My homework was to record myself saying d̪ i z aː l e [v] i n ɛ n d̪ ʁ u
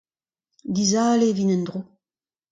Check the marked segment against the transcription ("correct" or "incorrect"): correct